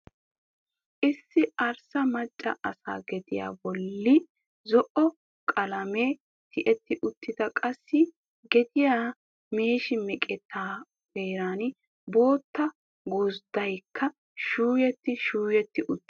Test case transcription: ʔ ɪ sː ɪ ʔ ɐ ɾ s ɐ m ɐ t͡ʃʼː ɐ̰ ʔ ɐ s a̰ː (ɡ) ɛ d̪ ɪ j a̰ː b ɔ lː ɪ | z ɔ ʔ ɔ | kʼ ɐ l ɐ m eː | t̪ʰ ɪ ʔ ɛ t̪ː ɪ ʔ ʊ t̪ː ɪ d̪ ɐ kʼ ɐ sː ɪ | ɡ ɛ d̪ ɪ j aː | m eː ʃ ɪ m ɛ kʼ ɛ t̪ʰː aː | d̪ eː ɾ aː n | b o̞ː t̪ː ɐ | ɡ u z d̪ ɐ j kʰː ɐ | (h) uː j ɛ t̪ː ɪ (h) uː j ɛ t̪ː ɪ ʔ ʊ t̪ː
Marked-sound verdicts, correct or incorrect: correct, incorrect: ʃ, incorrect: ʃ

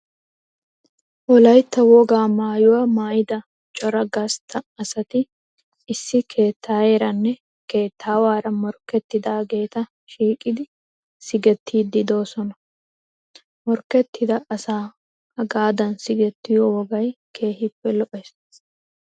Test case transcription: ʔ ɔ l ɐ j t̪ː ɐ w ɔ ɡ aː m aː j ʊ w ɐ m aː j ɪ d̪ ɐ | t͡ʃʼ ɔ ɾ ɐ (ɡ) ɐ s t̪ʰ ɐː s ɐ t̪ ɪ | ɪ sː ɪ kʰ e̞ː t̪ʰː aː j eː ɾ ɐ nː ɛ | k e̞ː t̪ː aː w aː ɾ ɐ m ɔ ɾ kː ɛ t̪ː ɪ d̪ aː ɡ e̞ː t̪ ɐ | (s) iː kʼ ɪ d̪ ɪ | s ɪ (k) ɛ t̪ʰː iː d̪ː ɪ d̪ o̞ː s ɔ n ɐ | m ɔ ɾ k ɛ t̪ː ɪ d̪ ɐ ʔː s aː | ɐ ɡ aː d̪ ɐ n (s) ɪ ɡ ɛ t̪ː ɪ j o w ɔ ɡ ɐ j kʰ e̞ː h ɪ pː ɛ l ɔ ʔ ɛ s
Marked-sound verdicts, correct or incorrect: correct, incorrect: ʃ, incorrect: ɡ, correct

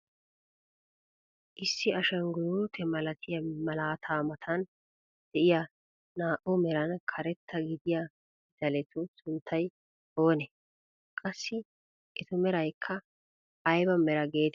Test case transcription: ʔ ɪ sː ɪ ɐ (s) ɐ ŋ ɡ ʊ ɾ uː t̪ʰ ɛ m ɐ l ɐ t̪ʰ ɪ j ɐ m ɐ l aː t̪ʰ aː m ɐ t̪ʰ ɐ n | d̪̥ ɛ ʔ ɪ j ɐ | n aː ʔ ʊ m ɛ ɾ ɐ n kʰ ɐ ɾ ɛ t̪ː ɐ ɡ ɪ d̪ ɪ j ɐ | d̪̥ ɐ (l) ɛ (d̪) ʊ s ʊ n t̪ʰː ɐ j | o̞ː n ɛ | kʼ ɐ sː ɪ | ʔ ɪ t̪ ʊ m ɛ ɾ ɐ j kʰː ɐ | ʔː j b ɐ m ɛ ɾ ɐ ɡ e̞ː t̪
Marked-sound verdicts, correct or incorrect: incorrect: ʃ, correct, incorrect: t̪

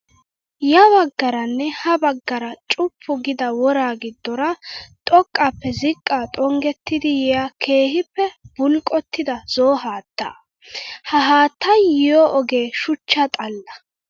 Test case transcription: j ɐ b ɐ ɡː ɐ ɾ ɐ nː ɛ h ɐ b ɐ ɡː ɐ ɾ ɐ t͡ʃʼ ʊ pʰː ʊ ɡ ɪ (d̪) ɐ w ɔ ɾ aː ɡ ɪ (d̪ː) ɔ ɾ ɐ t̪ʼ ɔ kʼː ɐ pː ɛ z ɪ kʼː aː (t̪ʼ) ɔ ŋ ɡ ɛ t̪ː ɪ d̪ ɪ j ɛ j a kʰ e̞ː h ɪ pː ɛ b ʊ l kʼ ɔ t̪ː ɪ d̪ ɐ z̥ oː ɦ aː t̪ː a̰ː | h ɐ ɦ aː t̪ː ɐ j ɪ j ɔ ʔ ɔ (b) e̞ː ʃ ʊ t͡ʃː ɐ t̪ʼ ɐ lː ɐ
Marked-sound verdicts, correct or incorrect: correct, correct, correct, incorrect: ɡ

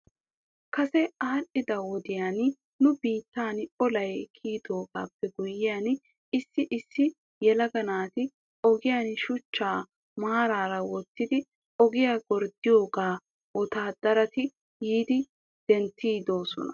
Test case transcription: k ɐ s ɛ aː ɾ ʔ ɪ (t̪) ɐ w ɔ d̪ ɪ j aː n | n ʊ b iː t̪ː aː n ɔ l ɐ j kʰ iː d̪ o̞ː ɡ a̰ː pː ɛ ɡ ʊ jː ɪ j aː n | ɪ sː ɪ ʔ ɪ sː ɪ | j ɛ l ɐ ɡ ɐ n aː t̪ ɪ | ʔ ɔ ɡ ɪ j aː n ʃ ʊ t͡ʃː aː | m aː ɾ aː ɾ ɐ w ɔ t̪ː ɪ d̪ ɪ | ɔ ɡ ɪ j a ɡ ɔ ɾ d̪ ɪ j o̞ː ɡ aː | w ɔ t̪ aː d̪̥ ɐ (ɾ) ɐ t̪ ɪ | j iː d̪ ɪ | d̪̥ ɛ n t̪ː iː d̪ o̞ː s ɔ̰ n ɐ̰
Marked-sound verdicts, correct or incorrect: incorrect: d̪, correct

